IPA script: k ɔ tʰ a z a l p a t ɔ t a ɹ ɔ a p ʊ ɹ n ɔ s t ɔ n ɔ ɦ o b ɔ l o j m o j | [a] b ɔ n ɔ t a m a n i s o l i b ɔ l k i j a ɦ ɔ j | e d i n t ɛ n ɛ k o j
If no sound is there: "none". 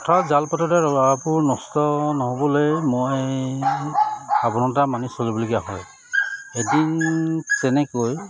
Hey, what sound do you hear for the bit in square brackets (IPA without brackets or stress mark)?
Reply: a